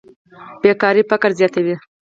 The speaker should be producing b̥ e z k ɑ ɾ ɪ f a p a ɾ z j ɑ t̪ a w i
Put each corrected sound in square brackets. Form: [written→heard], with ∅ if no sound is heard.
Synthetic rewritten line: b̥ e [z→∅] k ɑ ɾ [ɪ→i] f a [p→k] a ɾ z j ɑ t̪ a w i